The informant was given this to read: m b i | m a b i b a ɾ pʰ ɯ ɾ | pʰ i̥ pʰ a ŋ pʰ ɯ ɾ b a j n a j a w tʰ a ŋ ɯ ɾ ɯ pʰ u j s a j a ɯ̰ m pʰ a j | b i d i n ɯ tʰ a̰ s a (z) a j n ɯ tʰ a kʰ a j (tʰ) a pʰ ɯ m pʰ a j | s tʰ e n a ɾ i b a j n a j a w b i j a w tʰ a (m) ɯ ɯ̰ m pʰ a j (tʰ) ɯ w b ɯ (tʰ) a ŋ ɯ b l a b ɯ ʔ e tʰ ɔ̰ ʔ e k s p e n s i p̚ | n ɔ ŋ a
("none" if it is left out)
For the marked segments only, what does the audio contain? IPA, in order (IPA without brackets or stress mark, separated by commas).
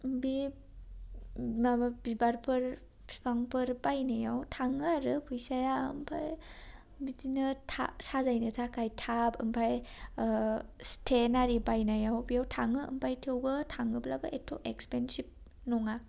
z, tʰ, ŋ, tʰ, tʰ